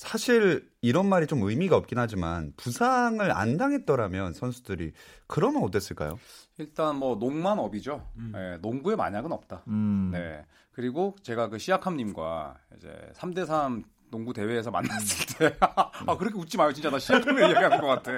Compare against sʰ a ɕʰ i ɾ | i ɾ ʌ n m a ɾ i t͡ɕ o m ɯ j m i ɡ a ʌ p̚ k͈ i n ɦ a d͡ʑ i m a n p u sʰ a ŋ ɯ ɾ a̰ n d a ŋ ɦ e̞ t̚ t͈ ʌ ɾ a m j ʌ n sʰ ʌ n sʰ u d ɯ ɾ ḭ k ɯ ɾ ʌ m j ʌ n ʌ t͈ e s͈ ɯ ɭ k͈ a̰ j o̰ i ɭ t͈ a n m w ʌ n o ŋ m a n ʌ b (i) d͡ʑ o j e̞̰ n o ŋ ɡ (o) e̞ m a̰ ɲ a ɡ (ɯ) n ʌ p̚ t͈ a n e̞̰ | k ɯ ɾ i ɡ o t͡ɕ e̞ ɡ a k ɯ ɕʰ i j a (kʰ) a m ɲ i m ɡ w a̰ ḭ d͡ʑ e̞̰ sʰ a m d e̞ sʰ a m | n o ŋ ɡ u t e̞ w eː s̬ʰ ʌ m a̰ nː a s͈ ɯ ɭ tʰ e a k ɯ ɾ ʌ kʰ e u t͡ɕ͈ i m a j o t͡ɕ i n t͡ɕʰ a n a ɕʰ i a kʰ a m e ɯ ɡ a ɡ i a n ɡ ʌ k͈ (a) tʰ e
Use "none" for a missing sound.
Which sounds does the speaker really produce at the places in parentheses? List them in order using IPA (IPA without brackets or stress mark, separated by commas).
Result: i, u, ɯ, kʰ, a